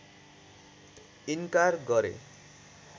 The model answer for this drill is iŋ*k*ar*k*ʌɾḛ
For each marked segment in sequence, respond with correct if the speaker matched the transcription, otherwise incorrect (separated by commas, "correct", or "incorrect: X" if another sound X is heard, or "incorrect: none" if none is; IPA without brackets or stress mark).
correct, incorrect: ɡ